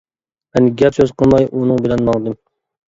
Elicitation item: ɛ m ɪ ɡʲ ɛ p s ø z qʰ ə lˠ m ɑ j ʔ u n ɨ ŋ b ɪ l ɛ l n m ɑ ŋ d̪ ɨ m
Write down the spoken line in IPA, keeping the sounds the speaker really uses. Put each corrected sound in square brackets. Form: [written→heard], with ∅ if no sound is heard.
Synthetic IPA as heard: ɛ [m→n] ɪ ɡʲ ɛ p s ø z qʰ ə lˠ m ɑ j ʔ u n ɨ ŋ b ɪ l ɛ [l→∅] n m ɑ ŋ d̪ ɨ m